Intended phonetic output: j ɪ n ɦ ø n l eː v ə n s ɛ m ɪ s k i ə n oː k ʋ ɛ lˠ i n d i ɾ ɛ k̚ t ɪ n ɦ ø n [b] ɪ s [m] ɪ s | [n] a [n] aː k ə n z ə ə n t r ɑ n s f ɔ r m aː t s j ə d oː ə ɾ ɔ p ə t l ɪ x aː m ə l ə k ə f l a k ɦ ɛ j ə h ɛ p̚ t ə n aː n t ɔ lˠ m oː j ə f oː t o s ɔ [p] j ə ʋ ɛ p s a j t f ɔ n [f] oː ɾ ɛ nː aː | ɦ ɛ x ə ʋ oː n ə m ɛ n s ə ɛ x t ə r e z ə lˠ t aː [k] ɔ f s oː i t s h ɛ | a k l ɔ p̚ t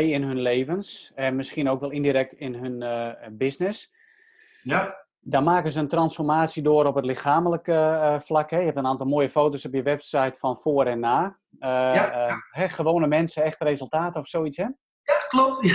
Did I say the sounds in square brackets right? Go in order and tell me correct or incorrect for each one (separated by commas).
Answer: correct, incorrect, incorrect, incorrect, correct, correct, incorrect